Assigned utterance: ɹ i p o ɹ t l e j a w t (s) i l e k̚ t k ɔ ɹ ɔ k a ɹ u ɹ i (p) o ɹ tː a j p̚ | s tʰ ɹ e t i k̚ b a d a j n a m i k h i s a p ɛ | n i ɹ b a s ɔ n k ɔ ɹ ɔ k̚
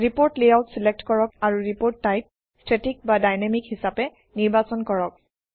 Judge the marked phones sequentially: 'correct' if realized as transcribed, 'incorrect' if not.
correct, correct

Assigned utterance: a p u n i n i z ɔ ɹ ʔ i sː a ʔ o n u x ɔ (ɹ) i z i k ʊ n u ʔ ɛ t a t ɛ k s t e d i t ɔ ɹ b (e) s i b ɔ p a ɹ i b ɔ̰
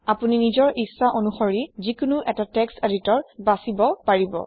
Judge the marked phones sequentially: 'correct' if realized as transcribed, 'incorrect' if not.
correct, incorrect

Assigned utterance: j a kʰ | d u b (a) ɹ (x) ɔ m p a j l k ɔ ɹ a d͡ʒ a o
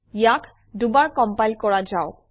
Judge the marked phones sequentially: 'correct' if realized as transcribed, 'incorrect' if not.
correct, incorrect

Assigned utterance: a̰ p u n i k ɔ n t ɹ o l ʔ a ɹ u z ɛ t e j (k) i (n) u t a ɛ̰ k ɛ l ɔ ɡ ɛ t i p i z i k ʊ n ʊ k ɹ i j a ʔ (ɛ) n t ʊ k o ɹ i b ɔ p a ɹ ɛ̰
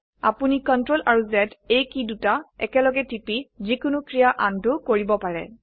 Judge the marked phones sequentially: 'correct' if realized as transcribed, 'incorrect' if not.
correct, incorrect, incorrect

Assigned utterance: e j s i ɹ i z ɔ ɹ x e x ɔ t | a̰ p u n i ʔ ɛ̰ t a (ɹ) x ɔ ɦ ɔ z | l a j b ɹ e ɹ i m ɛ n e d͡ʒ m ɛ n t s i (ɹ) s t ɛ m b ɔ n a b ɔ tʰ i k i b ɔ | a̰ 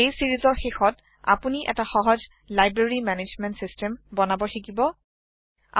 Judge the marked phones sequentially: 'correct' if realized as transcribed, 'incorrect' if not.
incorrect, incorrect

